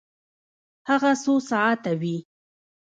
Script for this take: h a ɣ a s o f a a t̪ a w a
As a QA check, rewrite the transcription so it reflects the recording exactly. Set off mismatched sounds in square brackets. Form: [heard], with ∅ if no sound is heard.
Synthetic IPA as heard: h a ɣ a s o [s] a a t̪ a w [i]